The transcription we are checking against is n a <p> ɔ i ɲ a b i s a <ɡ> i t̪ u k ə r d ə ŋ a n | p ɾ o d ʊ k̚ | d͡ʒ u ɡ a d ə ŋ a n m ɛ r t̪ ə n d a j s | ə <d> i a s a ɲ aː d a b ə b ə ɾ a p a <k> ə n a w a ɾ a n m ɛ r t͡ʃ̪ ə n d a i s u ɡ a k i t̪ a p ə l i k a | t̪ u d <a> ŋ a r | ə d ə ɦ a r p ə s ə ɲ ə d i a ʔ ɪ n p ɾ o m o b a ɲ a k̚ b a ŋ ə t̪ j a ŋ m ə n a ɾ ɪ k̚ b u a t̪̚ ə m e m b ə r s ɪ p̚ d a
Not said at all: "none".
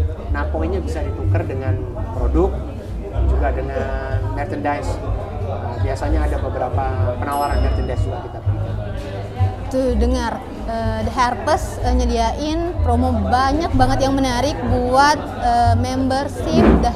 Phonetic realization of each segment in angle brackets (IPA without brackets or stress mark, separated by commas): p, d, b, p, ə